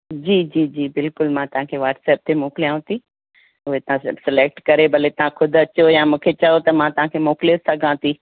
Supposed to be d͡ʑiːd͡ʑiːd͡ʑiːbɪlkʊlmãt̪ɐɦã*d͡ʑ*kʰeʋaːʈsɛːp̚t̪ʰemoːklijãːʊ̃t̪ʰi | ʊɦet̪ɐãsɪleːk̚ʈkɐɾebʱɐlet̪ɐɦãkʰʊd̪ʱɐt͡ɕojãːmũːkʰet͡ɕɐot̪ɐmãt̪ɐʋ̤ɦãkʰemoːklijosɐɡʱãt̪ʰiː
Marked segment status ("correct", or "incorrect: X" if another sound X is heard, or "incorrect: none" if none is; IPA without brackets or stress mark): incorrect: none